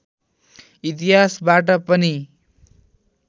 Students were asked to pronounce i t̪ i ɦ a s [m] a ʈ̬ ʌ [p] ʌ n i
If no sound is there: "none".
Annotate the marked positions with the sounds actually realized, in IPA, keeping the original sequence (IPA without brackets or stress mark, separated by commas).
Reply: b, p